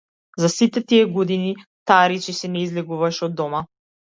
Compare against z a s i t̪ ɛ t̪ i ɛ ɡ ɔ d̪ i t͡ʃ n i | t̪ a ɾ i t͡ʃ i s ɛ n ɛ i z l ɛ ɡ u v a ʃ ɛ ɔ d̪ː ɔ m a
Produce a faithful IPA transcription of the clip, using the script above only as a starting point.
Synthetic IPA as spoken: z a s i t̪ ɛ t̪ i ɛ ɡ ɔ d̪ i n i | t̪ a ɾ i t͡ʃ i s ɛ n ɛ i z l ɛ ɡ u v a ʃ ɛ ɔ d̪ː ɔ m a